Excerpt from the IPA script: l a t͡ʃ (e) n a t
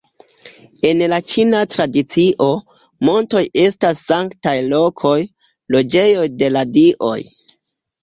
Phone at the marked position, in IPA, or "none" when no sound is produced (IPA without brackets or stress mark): i